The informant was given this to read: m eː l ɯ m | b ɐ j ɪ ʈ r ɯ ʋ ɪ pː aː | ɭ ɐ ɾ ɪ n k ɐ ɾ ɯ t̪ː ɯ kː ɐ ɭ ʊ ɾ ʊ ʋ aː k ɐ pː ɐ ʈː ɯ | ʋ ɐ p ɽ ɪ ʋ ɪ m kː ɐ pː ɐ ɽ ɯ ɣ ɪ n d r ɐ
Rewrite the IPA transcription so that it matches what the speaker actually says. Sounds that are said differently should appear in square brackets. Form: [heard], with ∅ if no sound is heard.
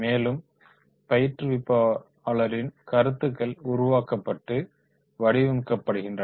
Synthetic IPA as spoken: m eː l ɯ m | [p] ɐ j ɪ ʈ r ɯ ʋ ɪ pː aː | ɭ ɐ ɾ ɪ n k ɐ ɾ ɯ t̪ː ɯ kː ɐ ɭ ʊ ɾ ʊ ʋ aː k ɐ pː ɐ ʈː ɯ | ʋ ɐ [∅] ɽ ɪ ʋ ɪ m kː ɐ pː ɐ ɽ ɯ ɣ ɪ n d r ɐ